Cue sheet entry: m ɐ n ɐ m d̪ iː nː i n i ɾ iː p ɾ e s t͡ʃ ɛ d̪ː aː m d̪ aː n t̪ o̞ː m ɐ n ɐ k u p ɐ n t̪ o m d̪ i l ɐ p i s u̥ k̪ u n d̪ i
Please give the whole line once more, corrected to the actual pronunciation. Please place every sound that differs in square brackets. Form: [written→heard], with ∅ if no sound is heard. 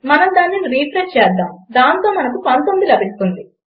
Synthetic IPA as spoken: m ɐ n ɐ m d̪ [iː→aː] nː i n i ɾ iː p ɾ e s t͡ʃ [ɛ→ɛː] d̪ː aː m d̪ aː n t̪ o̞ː m ɐ n ɐ k u p ɐ n t̪ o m d̪ i l ɐ [p→b] i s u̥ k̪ u n d̪ i